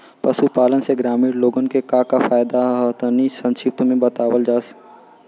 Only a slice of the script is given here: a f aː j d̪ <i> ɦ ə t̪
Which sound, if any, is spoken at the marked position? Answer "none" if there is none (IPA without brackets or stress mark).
a